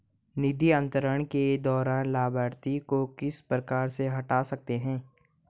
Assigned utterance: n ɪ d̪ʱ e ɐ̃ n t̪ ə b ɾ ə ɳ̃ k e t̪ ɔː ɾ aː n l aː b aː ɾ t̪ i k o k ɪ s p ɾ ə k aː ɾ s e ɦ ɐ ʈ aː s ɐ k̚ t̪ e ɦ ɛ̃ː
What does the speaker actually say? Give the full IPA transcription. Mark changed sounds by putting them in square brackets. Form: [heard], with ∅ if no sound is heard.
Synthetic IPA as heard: n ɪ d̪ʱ [i] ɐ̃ n t̪ ə [∅] ɾ ə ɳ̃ k e [d̪] ɔː ɾ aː n l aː b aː ɾ t̪ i k o k ɪ s p ɾ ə k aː ɾ s e ɦ ɐ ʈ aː s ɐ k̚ t̪ e ɦ ɛ̃ː